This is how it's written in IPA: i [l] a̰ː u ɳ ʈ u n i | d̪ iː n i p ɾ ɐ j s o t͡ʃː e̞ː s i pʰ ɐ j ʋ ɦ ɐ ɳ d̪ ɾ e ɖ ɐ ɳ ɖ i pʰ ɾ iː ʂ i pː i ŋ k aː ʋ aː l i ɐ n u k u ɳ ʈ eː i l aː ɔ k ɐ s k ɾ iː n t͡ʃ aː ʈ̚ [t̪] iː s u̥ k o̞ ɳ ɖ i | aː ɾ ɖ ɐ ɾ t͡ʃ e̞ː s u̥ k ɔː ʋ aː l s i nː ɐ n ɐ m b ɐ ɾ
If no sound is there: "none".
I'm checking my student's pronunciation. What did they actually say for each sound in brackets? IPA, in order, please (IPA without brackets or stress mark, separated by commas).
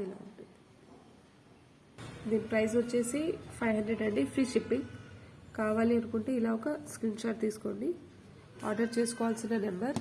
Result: l, t̪